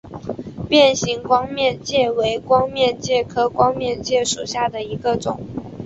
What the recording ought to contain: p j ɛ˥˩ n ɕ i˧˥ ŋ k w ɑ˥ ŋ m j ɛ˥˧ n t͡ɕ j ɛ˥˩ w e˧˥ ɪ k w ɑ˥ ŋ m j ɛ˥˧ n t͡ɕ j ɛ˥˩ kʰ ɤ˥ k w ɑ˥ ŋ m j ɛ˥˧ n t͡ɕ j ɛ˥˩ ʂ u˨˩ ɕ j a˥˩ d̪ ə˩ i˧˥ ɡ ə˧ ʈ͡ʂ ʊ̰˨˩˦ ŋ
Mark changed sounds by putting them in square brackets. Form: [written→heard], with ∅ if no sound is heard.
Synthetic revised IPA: p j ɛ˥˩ n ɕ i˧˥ ŋ k w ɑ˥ ŋ m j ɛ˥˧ n t͡ɕ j ɛ˥˩ w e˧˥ ɪ k w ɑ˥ ŋ m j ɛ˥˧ n t͡ɕ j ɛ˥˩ kʰ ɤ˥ k w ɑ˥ ŋ m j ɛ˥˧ n t͡ɕ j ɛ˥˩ ʂ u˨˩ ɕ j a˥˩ d̪ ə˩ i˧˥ ɡ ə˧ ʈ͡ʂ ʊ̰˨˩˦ ŋ